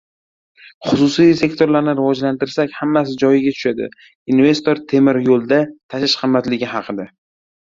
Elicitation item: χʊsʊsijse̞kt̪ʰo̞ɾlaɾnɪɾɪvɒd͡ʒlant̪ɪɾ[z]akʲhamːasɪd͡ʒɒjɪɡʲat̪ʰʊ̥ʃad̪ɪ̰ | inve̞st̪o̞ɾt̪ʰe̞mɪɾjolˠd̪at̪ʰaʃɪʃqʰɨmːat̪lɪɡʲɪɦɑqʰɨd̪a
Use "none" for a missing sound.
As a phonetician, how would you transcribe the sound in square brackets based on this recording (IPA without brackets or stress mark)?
s